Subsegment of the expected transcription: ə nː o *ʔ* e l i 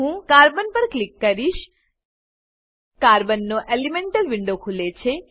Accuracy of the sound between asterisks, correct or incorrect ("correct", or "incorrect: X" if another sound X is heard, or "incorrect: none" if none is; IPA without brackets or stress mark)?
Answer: correct